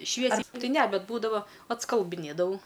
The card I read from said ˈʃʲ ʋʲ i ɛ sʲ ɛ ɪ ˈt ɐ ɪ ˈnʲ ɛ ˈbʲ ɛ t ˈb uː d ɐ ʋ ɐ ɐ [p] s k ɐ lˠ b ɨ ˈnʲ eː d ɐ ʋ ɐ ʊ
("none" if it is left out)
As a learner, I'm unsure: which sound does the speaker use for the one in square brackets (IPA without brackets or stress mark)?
t